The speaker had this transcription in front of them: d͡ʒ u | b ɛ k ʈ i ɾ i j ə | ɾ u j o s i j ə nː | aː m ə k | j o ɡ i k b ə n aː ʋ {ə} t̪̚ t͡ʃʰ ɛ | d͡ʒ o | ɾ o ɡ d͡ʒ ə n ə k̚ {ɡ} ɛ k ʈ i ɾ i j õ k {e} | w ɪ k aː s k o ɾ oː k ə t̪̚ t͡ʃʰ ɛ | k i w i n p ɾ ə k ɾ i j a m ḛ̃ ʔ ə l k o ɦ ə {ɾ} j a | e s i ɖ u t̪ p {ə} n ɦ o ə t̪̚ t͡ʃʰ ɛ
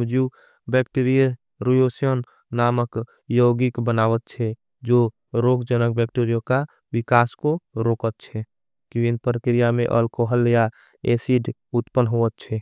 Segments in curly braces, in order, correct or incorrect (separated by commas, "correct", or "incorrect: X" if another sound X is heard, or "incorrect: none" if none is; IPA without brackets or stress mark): correct, incorrect: b, incorrect: a, incorrect: l, correct